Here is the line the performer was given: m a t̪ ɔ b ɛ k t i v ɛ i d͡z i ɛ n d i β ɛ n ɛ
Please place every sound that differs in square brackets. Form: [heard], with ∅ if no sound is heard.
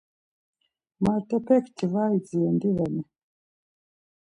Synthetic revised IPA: m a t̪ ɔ [p] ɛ k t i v [a] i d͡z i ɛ n d i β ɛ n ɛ